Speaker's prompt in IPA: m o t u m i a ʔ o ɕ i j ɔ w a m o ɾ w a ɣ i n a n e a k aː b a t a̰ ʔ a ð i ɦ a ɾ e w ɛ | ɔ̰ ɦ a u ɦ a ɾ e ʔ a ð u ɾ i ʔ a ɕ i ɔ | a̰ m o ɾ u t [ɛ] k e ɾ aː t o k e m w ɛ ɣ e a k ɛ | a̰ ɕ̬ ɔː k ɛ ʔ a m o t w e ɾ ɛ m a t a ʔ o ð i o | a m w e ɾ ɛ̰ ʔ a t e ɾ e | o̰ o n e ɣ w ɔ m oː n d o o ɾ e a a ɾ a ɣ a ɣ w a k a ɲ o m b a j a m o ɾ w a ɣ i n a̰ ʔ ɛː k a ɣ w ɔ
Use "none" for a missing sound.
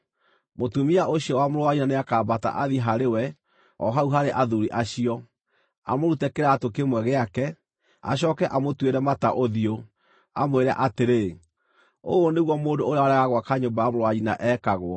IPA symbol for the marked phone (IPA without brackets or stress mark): ɛ